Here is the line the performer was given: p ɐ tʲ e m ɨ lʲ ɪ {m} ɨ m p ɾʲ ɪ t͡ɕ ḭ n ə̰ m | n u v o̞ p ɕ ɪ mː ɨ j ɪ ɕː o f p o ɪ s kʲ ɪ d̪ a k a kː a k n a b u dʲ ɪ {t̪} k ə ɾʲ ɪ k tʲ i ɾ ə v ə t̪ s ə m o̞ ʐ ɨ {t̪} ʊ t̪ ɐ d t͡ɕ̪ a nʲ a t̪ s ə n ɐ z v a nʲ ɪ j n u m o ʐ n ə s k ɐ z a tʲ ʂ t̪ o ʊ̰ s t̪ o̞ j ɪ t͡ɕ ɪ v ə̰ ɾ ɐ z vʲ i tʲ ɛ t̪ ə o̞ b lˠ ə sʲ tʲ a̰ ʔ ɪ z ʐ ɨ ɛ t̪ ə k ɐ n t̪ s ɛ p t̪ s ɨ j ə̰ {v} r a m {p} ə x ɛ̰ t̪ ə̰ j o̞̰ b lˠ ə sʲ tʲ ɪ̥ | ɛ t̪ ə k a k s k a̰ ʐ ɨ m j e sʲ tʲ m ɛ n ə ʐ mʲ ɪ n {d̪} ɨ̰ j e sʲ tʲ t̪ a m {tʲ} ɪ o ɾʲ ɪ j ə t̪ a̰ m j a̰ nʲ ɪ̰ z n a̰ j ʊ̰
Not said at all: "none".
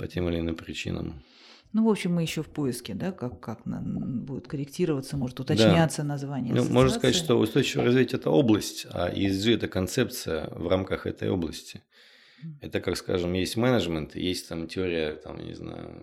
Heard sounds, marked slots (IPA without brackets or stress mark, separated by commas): n, t̪, t̪, v, k, t̪, tʲ